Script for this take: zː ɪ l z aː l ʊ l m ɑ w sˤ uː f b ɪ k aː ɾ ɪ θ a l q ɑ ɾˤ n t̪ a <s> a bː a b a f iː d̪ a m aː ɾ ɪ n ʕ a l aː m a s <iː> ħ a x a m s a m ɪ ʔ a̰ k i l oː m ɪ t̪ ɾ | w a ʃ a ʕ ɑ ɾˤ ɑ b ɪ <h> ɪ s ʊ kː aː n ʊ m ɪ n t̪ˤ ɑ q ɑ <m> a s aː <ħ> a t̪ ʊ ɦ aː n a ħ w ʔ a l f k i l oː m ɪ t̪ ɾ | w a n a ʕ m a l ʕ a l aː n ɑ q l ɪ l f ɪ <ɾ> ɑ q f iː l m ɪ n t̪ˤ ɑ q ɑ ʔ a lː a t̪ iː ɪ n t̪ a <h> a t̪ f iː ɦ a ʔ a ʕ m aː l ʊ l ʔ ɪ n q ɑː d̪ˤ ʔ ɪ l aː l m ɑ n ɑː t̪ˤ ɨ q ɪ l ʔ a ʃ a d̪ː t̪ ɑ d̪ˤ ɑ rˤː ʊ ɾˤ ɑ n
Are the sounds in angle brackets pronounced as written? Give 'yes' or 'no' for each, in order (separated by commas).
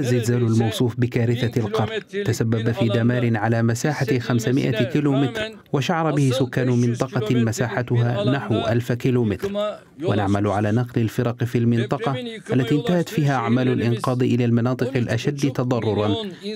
yes, no, yes, yes, yes, yes, yes